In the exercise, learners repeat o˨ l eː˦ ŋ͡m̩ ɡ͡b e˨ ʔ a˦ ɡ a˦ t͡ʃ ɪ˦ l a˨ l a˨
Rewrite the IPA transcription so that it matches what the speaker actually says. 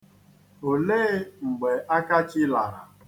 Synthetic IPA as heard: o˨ l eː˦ ŋ͡m̩ ɡ͡b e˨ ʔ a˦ k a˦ t͡ʃ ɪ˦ l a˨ ɾ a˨